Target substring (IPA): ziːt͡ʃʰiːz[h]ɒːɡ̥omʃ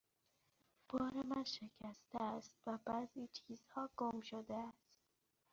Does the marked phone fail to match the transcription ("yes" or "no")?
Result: no